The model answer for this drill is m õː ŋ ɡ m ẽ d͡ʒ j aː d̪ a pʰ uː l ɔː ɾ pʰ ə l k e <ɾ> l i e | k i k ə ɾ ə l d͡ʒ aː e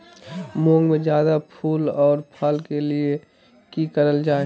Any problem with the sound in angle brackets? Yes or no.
yes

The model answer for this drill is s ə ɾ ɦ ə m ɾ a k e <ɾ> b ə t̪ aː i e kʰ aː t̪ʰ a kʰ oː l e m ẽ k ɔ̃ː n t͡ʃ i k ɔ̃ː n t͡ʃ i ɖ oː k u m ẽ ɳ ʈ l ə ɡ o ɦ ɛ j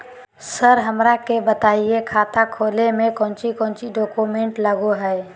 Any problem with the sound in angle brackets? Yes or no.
yes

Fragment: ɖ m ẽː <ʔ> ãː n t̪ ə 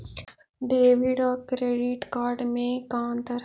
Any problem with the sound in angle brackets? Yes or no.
yes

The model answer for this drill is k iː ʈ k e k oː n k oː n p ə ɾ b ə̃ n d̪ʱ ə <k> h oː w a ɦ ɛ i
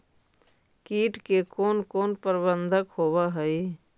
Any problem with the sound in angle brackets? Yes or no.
no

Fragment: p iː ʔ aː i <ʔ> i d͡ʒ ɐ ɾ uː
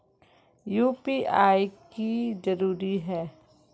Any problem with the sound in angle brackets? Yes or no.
yes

